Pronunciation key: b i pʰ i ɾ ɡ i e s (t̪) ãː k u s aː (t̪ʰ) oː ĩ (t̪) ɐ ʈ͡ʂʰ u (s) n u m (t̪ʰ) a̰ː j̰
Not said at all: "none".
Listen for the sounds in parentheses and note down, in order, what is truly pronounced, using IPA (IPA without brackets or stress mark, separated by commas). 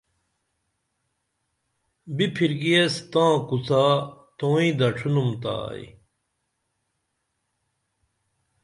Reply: t̪, t̪, d̪, none, t̪